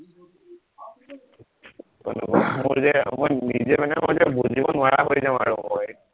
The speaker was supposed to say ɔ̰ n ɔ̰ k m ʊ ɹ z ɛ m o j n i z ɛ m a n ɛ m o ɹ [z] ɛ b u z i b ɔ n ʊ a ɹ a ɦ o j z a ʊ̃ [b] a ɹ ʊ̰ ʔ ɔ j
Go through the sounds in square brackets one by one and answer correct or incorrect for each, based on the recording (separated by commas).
correct, incorrect